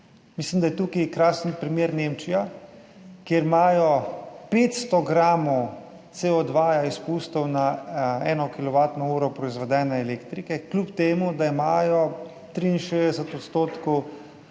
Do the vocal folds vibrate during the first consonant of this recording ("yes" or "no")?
yes